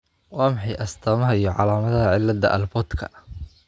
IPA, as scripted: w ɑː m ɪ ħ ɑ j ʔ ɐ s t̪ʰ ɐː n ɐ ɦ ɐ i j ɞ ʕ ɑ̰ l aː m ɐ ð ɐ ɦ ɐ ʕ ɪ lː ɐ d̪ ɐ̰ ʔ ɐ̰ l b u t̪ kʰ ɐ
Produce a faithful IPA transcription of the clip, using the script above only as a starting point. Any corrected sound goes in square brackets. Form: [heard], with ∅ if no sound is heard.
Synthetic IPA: w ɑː m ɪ ħ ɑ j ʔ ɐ s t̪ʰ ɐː [m] ɐ ɦ ɐ i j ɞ ʕ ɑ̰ l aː m ɐ ð ɐ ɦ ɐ ʕ ɪ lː ɐ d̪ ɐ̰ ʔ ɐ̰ l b [ɔ] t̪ kʰ ɐ

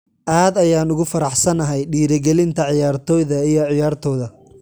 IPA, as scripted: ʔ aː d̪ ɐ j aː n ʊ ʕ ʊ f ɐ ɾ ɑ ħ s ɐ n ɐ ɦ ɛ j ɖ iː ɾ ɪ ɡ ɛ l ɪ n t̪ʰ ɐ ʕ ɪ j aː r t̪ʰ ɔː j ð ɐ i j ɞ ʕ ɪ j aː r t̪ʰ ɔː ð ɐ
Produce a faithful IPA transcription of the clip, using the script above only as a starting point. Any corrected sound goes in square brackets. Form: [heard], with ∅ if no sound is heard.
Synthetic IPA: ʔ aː d̪ ɐ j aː n ʊ [ɣ] ʊ f ɐ ɾ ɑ ħ s ɐ n ɐ ɦ ɛ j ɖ iː ɾ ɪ ɡ ɛ l ɪ n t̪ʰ ɐ ʕ ɪ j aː r t̪ʰ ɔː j ð ɐ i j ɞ ʕ ɪ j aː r t̪ʰ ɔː ð ɐ

